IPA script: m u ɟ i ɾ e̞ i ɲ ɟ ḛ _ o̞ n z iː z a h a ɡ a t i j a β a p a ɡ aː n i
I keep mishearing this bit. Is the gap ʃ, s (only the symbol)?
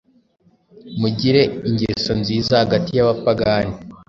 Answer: s